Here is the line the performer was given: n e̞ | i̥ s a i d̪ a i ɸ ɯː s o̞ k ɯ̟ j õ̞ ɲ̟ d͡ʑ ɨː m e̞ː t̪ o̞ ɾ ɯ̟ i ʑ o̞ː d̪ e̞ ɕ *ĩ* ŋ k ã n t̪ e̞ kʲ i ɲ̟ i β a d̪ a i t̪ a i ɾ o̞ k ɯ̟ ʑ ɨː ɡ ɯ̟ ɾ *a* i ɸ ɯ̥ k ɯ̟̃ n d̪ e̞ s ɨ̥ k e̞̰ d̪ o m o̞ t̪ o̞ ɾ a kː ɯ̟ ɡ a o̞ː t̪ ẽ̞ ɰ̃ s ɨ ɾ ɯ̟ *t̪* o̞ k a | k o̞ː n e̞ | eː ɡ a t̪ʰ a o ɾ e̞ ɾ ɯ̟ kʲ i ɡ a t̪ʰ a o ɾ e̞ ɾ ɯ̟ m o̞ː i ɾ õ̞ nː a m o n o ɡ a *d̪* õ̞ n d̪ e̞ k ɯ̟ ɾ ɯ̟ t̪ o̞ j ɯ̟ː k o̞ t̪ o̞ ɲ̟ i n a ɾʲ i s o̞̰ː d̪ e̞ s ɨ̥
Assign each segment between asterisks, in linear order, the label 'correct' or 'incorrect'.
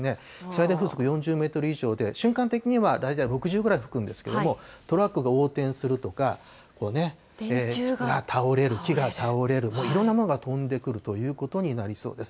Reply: incorrect, correct, correct, incorrect

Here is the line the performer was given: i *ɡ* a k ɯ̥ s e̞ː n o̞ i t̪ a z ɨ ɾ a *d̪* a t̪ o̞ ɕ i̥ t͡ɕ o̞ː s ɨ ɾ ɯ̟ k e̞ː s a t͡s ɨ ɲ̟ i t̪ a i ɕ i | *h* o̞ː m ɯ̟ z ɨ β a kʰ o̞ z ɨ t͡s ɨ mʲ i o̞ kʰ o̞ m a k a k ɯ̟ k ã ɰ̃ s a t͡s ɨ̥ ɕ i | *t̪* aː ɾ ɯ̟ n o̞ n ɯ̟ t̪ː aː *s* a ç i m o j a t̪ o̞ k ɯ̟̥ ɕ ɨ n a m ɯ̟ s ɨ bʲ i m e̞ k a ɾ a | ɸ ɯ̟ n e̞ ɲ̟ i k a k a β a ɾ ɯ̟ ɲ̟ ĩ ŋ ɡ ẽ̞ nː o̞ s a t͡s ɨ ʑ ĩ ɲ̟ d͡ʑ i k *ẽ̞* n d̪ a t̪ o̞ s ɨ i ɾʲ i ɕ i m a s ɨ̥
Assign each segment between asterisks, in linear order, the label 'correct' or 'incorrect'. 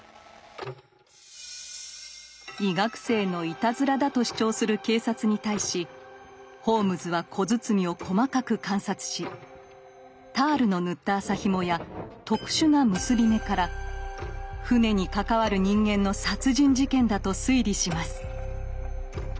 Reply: correct, correct, correct, correct, correct, correct

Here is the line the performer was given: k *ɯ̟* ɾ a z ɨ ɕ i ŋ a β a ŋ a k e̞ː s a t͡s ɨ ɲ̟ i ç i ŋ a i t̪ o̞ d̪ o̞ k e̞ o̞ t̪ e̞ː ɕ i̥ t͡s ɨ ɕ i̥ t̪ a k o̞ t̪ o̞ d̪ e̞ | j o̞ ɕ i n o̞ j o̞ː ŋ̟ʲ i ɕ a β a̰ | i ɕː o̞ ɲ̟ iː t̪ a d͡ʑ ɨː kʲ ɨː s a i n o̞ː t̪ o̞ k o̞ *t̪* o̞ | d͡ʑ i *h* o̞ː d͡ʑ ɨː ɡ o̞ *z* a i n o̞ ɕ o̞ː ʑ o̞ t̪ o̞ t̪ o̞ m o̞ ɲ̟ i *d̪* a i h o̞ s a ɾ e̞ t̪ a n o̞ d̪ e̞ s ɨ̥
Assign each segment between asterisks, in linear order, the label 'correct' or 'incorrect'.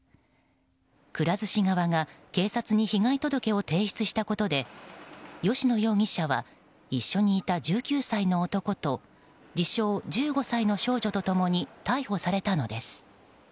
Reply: correct, correct, incorrect, incorrect, incorrect

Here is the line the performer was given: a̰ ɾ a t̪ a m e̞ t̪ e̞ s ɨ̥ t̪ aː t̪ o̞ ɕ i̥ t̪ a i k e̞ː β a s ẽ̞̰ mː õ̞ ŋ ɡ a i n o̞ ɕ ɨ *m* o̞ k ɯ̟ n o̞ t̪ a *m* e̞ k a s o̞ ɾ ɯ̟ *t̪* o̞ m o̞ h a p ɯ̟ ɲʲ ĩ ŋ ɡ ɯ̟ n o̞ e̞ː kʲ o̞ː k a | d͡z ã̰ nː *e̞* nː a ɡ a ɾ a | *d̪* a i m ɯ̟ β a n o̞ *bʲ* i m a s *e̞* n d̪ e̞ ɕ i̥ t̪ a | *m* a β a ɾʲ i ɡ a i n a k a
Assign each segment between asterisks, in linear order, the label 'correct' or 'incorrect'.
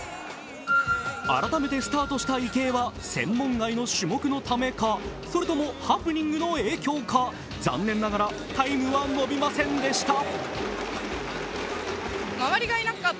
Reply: correct, correct, correct, incorrect, incorrect, correct, incorrect, correct

